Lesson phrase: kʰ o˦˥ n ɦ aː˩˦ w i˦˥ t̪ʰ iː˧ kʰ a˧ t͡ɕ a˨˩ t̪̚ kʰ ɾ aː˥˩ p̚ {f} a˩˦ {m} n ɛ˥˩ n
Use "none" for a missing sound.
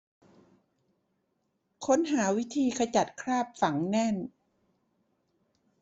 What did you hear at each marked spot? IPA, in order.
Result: f, ŋ

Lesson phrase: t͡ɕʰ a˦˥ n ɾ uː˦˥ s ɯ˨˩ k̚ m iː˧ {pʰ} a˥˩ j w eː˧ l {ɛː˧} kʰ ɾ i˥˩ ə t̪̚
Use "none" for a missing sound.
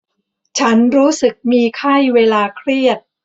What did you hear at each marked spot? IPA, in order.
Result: kʰ, aː˧

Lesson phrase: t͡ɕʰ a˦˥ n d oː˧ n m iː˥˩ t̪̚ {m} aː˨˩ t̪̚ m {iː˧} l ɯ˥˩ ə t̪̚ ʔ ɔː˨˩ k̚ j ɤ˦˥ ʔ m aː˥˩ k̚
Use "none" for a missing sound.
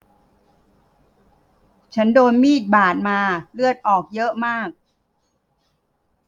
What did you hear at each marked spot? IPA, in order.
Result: b, aː˧

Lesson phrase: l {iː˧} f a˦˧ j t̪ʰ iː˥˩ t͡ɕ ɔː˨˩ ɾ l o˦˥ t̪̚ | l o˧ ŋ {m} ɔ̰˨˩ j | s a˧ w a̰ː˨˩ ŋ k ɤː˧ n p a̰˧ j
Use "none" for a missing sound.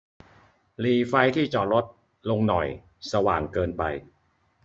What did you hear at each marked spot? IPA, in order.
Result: iː˧, n

